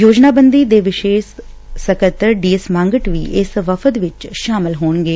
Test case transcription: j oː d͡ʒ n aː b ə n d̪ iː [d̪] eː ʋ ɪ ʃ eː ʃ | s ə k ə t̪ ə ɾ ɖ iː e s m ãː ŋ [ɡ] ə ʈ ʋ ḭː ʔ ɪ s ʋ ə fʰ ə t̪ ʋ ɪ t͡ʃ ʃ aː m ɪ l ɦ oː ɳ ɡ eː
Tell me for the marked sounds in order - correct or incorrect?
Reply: correct, correct

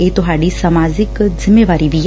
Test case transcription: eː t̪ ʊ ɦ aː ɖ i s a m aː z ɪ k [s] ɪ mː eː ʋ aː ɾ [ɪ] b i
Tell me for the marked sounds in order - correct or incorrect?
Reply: incorrect: z, incorrect: i

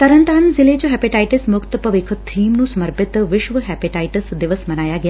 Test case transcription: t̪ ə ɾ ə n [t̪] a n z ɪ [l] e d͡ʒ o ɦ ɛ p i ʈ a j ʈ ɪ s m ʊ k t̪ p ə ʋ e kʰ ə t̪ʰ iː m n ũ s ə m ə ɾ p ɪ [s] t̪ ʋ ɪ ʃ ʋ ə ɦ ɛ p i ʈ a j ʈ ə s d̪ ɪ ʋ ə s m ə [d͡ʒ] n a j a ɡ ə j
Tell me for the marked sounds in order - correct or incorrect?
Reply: correct, correct, incorrect: none, incorrect: none

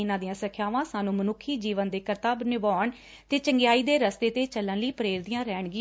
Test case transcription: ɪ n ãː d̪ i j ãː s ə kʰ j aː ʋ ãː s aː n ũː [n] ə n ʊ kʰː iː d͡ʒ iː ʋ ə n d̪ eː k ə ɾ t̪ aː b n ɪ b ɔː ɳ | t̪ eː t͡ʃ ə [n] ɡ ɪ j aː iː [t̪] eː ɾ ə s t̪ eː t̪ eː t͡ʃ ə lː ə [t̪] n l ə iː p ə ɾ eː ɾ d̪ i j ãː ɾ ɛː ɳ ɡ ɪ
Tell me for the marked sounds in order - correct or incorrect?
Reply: incorrect: m, incorrect: ŋ, incorrect: d̪, incorrect: none

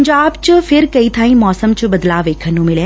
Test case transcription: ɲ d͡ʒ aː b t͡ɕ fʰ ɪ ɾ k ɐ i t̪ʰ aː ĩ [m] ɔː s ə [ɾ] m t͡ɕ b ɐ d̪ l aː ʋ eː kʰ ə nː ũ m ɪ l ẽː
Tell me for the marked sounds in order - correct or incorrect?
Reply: correct, incorrect: none

